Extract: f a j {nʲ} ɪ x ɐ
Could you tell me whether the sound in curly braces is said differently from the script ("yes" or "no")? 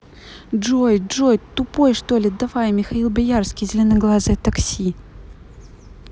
yes